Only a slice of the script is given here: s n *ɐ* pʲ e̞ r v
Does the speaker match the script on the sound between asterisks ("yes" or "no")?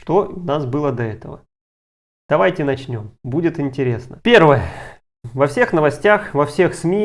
no